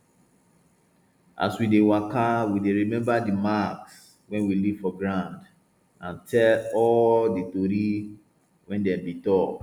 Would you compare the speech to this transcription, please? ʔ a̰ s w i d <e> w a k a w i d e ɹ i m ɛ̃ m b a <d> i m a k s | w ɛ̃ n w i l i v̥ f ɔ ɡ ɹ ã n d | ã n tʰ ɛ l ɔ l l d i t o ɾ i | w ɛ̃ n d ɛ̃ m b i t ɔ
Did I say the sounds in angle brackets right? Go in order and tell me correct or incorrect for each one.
correct, correct

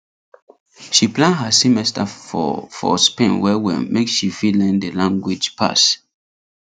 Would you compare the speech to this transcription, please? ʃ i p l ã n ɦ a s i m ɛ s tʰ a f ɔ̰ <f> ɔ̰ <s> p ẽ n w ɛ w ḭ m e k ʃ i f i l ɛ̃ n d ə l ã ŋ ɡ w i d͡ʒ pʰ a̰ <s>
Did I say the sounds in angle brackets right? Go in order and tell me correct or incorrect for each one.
correct, correct, correct

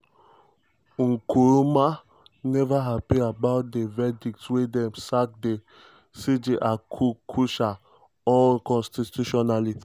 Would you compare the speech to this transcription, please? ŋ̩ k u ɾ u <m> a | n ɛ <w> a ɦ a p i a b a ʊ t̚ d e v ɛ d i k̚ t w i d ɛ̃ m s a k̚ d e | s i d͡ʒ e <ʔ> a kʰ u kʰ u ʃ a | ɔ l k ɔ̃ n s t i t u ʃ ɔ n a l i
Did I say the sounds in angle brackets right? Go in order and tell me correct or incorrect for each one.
correct, incorrect, correct

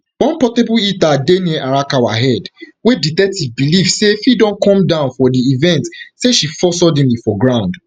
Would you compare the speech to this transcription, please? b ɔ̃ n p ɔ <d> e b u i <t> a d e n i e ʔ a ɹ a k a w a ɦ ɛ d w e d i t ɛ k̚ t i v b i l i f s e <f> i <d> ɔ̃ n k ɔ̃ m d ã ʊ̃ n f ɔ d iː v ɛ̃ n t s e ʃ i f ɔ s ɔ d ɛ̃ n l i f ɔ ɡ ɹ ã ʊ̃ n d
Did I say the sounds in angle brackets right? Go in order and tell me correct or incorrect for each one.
incorrect, correct, correct, correct

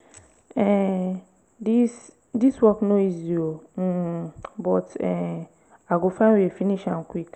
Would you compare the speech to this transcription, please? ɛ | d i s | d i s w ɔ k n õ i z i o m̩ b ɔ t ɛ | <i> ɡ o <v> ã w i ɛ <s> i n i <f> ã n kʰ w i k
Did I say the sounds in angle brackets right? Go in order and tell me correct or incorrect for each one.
incorrect, incorrect, incorrect, incorrect

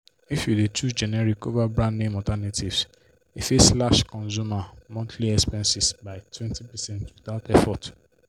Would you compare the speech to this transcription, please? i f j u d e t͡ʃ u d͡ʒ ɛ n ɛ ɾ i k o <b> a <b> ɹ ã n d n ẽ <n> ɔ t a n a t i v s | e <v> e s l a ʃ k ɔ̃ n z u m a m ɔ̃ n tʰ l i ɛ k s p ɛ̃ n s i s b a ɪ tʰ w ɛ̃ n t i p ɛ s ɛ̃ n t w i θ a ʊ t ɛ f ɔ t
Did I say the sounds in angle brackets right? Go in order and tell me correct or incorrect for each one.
incorrect, correct, incorrect, incorrect

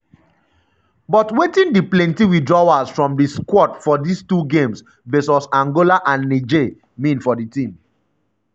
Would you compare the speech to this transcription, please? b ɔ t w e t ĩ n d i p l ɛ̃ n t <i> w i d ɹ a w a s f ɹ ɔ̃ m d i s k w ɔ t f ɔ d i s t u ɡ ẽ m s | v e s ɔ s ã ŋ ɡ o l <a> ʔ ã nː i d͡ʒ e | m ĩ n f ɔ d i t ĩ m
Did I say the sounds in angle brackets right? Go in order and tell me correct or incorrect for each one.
correct, correct

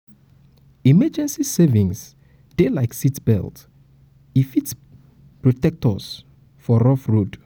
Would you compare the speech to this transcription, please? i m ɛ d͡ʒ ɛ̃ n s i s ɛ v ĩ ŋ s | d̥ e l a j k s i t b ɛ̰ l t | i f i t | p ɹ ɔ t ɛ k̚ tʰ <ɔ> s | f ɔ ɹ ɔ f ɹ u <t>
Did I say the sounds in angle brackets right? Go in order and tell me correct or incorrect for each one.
correct, incorrect

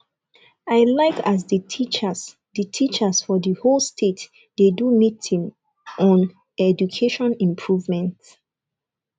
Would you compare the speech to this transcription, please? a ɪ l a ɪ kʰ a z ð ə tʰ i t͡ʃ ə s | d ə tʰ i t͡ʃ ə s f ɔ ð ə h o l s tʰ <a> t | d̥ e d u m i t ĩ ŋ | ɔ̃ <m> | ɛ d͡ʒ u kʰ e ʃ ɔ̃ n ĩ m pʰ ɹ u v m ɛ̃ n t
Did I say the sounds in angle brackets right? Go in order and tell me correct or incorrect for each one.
incorrect, incorrect

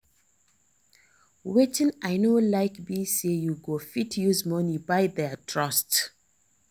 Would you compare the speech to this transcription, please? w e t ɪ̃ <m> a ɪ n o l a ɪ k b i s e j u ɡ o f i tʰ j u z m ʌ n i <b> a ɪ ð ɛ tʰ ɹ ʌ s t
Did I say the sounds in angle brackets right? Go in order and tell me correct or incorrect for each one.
incorrect, correct

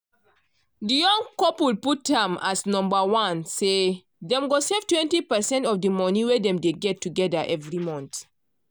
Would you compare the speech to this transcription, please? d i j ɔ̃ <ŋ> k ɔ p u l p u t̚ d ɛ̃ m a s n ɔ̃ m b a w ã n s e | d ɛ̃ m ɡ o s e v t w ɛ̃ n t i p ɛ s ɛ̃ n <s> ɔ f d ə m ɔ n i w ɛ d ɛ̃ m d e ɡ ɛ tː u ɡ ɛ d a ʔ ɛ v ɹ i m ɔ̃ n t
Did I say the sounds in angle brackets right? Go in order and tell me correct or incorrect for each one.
correct, incorrect

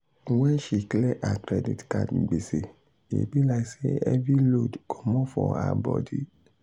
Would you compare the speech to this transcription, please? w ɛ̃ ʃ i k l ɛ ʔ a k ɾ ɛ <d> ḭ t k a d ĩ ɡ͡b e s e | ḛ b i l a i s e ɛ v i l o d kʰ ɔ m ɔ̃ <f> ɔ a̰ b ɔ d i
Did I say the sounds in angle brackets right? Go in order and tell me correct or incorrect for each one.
correct, correct

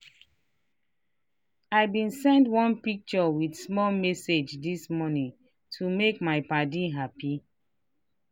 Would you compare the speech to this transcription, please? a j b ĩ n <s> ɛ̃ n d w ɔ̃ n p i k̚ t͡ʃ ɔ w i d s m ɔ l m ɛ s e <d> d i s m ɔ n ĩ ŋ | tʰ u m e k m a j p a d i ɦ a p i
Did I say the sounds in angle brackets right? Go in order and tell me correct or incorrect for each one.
correct, incorrect

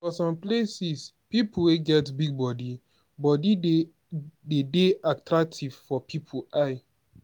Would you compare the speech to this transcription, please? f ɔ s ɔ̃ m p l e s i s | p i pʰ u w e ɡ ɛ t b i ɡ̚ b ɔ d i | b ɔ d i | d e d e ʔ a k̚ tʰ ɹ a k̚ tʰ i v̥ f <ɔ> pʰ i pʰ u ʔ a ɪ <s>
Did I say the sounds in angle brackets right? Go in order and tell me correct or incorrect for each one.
correct, incorrect

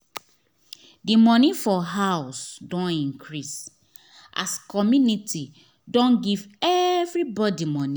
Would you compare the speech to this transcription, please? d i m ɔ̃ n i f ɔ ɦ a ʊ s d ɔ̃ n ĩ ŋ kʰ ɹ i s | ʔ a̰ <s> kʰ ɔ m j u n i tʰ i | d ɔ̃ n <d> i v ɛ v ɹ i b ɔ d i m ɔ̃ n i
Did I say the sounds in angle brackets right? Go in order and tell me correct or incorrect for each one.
correct, incorrect

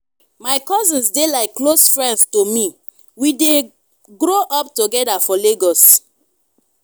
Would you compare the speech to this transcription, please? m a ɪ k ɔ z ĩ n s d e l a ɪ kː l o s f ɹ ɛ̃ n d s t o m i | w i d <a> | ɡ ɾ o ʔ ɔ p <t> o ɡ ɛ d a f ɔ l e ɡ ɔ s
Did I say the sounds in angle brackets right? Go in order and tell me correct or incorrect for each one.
incorrect, correct

